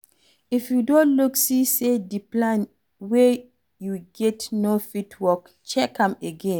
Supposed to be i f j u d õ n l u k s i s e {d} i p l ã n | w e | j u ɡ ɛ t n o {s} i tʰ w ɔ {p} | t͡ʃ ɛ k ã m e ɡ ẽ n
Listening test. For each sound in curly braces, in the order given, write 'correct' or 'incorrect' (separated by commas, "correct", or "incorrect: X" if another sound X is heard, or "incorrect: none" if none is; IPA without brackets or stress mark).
correct, incorrect: f, incorrect: k